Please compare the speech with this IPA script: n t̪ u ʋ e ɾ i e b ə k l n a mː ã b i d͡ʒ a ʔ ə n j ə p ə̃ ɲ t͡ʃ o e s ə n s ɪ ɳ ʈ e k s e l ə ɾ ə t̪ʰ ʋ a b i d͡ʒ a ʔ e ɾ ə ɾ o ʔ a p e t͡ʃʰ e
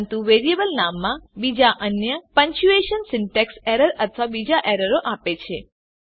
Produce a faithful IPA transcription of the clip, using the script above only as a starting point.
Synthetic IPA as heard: n t̪ u ʋ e ɾ i e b ə l n a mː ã b i d͡ʒ a ʔ ə n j ə p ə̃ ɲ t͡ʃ u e ʃ ə n s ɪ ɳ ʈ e k s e ɾ ə ɾ ə t̪ʰ ʋ a b i d͡ʒ a ʔ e ɾ ə ɾ o ʔ a p e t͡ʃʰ e